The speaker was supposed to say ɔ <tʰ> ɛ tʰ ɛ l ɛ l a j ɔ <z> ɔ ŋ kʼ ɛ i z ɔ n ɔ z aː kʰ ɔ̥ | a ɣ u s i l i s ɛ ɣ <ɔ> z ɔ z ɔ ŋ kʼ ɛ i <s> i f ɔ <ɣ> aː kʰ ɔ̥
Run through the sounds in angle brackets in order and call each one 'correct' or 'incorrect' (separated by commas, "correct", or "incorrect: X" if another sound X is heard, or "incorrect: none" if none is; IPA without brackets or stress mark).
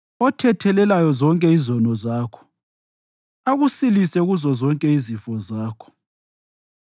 correct, correct, incorrect: u, incorrect: z, incorrect: z